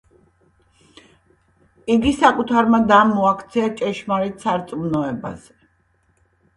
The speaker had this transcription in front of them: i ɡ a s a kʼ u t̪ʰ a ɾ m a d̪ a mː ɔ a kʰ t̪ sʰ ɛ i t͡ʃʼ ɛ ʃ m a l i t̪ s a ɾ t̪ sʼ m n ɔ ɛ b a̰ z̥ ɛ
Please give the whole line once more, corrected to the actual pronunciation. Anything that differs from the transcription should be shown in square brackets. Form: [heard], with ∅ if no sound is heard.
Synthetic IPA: i ɡ [i] s a kʼ u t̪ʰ a ɾ m a d̪ a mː ɔ a kʰ t̪ sʰ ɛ [a] t͡ʃʼ ɛ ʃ m a [ɾ] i t̪ s a ɾ t̪ sʼ m n ɔ ɛ b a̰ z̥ ɛ